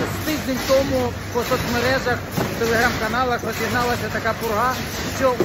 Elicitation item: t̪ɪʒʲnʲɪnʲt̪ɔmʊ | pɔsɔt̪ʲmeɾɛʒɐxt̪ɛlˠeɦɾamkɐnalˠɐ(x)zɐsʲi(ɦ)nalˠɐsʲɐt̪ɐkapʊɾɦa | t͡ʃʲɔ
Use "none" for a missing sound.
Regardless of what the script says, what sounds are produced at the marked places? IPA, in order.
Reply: x, ɦ

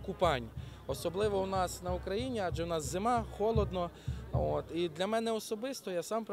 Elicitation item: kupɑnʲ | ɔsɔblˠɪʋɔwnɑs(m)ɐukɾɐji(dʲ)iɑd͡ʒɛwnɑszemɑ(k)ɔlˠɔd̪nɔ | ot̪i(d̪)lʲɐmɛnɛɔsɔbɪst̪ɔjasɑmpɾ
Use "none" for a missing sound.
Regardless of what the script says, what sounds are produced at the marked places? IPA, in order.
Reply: n, nʲ, x, d̪

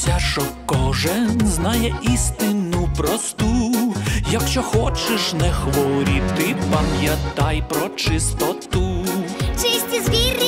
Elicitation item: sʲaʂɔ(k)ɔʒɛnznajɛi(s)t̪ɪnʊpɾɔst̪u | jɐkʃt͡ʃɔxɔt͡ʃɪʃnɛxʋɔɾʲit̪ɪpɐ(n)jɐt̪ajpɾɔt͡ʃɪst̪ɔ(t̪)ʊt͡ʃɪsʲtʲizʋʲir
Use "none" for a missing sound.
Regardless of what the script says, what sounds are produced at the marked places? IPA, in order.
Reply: k, s, m, t̪

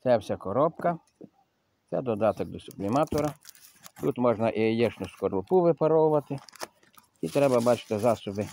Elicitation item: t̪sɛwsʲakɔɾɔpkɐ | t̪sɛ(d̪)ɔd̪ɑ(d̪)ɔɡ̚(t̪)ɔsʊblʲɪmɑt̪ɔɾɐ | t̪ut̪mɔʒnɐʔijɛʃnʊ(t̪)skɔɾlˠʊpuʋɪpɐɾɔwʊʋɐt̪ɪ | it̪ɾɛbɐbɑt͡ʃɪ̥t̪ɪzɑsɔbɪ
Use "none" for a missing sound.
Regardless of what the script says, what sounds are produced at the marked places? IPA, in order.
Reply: d̪, t̪, d̪, none

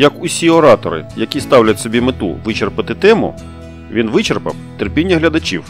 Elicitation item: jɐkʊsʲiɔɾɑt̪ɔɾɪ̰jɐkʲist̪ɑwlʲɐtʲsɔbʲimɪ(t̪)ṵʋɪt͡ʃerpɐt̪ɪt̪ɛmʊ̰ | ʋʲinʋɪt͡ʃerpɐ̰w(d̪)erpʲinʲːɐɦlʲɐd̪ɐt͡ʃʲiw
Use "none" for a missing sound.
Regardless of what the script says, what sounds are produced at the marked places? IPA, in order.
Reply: t̪, t̪

